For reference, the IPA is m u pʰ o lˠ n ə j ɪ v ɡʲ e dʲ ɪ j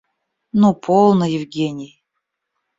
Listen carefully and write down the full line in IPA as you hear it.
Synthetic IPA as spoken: n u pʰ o lˠ n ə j ɪ v ɡʲ e nʲ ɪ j